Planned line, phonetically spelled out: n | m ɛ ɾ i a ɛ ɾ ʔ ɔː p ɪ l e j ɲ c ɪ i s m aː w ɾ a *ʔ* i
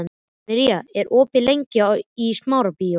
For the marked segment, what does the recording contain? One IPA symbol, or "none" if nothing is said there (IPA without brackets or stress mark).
p